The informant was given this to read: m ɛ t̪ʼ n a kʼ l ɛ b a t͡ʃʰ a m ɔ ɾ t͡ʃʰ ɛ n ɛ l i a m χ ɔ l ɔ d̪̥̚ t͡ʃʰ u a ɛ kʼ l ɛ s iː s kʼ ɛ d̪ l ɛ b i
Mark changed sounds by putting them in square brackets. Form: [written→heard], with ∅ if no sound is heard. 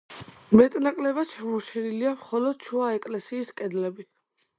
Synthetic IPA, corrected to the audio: m ɛ t̪ʼ n a kʼ l ɛ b a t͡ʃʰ a m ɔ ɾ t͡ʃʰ ɛ n [ɛ→i] l i a m χ ɔ l ɔ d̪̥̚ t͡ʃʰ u a ɛ kʼ l ɛ s iː s kʼ ɛ d̪ l ɛ b i